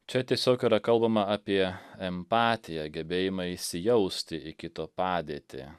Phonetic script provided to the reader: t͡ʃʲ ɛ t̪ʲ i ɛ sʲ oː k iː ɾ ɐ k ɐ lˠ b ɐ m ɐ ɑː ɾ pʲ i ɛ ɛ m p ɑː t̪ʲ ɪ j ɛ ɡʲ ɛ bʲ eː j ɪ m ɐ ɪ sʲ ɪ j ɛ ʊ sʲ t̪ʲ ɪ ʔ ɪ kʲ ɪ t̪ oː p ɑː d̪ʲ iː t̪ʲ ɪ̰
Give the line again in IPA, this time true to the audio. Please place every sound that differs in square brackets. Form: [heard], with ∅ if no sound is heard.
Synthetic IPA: t͡ʃʲ ɛ t̪ʲ i ɛ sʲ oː k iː ɾ ɐ k ɐ lˠ b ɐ m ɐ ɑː [∅] pʲ i ɛ ɛ m p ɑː t̪ʲ ɪ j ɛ ɡʲ ɛ bʲ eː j ɪ m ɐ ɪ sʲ ɪ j ɛ ʊ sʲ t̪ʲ ɪ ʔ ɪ kʲ ɪ t̪ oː p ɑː d̪ʲ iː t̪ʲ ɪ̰